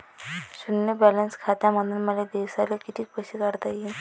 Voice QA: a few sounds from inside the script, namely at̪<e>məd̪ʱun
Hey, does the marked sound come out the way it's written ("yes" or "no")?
no